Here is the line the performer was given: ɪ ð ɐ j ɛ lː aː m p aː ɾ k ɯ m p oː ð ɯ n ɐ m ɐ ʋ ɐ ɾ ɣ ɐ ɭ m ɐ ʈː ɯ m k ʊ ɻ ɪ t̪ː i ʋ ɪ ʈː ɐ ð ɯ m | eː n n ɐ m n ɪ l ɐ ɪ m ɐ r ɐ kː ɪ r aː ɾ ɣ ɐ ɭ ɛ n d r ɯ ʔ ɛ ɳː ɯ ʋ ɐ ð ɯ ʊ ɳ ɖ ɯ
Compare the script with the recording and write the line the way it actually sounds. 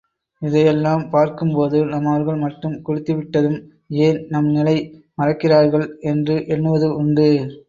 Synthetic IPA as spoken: ɪ ð ɐ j ɛ lː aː m p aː ɾ k ɯ m p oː ð ɯ n ɐ m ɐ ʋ ɐ ɾ ɣ ɐ ɭ m ɐ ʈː ɯ m k ʊ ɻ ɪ t̪ː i ʋ ɪ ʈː ɐ ð ɯ m | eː n n ɐ m n ɪ l ɐ ɪ m ɐ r ɐ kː ɪ r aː ɾ ɣ ɐ ɭ ɛ n d r ɯ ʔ ɛ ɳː ɯ ʋ ɐ ð ɯ ʊ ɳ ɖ ɯ

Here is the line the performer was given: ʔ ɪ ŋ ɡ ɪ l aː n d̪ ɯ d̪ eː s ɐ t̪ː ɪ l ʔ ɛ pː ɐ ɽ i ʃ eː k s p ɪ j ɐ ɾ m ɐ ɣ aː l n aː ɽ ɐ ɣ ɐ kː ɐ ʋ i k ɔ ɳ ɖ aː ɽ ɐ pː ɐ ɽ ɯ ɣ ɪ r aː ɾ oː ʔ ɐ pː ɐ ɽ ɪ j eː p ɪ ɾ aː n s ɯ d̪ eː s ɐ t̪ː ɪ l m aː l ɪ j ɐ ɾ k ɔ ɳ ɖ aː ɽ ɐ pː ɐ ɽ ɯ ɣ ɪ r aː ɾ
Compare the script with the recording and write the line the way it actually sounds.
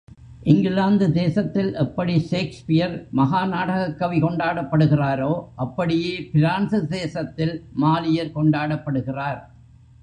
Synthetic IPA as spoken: ʔ ɪ ŋ ɡ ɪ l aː n d̪ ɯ d̪ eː s ɐ t̪ː ɪ l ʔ ɛ pː ɐ ɽ i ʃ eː k s p ɪ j ɐ ɾ m ɐ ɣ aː n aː ɽ ɐ ɣ ɐ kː ɐ ʋ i k ɔ ɳ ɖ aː ɽ ɐ pː ɐ ɽ ɯ ɣ ɪ r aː ɾ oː ʔ ɐ pː ɐ ɽ ɪ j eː p ɪ ɾ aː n s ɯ d̪ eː s ɐ t̪ː ɪ l m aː l ɪ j ɐ ɾ k ɔ ɳ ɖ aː ɽ ɐ pː ɐ ɽ ɯ ɣ ɪ r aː ɾ

